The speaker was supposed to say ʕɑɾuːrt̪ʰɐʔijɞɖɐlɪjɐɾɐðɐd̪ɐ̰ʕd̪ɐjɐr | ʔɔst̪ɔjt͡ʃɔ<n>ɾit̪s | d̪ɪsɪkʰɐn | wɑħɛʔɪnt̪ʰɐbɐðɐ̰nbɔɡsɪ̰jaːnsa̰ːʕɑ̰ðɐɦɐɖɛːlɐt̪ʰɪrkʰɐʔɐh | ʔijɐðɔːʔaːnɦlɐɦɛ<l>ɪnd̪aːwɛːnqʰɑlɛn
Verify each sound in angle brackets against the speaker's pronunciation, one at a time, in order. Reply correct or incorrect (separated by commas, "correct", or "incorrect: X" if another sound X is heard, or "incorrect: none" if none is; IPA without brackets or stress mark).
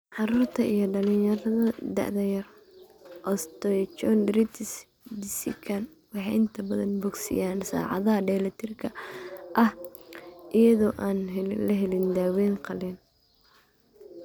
correct, correct